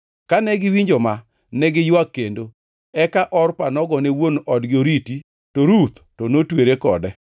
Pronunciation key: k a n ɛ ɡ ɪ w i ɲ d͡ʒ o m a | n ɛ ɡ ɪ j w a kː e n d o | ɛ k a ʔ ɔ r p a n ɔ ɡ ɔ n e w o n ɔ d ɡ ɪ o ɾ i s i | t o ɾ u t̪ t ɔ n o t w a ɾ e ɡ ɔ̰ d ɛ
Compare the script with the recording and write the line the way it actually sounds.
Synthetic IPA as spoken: k a n ɛ ɡ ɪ w i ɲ d͡ʒ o m a | n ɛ ɡ ɪ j w a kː e n d o | ɛ k a ʔ ɔ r p a n ɔ ɡ ɔ n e w o n ɔ d ɡ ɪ o ɾ i t i | t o ɾ u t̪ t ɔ n o t w e ɾ e k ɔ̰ d ɛ